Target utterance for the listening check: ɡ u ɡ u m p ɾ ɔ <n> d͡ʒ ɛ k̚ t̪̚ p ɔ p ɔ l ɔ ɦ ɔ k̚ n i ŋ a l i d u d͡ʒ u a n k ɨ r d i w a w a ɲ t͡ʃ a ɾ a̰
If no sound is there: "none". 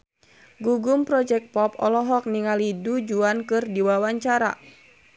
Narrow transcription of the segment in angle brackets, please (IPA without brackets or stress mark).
none